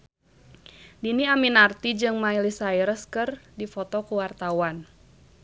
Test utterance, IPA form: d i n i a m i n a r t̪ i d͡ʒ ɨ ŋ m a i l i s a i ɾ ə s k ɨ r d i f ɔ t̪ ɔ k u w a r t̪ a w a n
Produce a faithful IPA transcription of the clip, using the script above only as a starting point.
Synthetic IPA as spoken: d i n i a m i n a r t̪ i d͡ʒ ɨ ŋ m a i l i s a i ɾ ə s k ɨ r d i f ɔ t̪ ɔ k u w a r t̪ a w a n